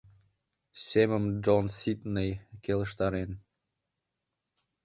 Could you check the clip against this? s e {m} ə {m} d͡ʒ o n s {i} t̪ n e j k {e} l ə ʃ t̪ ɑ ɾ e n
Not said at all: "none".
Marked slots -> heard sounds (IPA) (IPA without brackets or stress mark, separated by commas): m, m, i, e